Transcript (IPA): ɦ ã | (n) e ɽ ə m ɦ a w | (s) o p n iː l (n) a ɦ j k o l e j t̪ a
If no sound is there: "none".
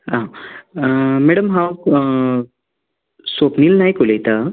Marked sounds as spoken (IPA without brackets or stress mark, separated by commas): m, s, n